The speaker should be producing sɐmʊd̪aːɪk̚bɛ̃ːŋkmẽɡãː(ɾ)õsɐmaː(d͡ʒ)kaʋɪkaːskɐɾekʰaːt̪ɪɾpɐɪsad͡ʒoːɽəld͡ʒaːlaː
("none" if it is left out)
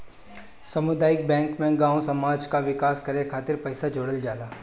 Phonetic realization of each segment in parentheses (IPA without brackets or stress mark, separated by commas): none, d͡ʒ